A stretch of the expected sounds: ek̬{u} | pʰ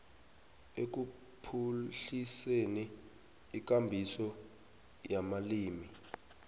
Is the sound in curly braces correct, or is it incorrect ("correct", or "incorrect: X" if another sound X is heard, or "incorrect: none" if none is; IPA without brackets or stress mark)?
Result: correct